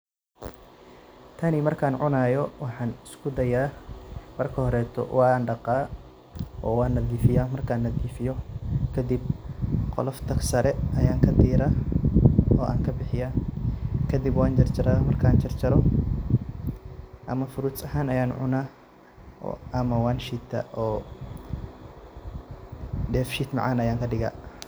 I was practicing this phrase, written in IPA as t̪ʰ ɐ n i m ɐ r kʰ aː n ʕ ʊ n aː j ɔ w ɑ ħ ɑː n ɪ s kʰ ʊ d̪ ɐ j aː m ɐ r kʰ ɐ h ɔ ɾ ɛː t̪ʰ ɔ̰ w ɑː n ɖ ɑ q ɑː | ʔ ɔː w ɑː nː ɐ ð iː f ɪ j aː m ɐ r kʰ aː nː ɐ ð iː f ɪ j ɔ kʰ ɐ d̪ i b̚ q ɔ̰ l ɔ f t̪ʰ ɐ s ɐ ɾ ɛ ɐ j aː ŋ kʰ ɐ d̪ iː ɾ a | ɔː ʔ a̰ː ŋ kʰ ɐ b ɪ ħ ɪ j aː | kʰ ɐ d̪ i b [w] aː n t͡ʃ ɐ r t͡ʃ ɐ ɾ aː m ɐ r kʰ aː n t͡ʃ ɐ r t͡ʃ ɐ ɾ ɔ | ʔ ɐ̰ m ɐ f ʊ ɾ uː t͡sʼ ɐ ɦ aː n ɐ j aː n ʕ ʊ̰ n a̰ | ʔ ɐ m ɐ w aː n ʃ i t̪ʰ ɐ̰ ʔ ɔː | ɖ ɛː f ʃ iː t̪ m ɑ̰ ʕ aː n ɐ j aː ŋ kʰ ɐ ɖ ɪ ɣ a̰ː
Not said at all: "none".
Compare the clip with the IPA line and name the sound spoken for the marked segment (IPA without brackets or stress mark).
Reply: w